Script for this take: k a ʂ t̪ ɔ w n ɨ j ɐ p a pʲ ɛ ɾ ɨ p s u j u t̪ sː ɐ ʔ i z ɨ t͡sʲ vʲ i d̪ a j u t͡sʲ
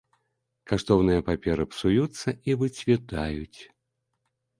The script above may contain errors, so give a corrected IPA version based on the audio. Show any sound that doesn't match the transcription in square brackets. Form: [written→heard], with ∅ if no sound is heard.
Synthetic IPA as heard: k a ʂ t̪ ɔ w n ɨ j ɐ p a pʲ ɛ ɾ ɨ p s u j u t̪ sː ɐ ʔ i [z→v] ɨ t͡sʲ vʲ i [d̪→t̪] a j u t͡sʲ